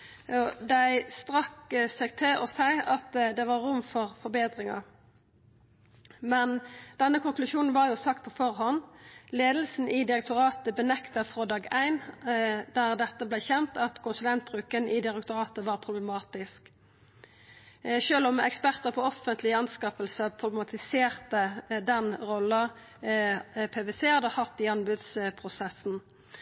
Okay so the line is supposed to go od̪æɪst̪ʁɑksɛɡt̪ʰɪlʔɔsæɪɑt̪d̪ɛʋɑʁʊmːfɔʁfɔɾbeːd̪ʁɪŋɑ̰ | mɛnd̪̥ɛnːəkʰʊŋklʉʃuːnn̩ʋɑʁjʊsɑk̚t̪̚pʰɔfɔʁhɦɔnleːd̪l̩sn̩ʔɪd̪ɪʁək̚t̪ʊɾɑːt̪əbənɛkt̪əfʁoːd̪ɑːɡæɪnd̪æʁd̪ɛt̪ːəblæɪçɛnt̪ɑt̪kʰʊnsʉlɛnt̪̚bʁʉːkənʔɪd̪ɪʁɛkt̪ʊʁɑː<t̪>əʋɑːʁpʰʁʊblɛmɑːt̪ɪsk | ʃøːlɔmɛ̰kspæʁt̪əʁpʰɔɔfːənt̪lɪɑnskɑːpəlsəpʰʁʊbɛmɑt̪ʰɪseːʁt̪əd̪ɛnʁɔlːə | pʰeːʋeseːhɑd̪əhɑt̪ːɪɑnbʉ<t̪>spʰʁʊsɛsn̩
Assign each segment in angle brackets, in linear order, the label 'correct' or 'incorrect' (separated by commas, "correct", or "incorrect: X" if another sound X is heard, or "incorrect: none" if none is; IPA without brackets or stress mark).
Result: correct, incorrect: d̪